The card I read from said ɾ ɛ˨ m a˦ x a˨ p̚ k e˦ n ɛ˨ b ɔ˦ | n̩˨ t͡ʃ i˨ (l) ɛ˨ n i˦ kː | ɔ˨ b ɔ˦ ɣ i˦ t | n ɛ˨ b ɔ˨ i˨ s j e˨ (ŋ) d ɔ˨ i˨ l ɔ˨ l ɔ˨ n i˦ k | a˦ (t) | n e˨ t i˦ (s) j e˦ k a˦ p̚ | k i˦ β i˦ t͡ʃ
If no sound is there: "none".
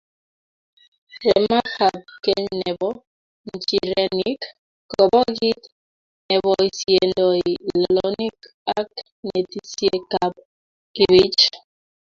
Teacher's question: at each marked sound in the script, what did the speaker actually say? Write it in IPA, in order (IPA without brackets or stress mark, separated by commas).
ɾ, n, k, s